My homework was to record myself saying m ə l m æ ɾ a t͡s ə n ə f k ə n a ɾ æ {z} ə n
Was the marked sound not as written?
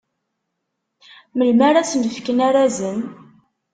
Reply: no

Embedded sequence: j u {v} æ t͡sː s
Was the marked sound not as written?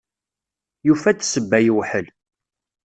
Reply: yes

